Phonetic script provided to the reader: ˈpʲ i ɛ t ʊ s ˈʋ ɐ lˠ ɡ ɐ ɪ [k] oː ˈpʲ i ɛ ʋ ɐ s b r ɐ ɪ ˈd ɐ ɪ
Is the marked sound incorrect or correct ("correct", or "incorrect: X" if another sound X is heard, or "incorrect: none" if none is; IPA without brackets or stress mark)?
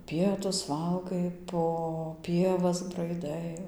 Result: incorrect: p